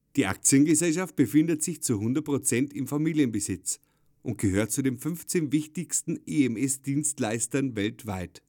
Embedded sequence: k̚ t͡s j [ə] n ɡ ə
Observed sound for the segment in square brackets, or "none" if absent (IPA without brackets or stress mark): ə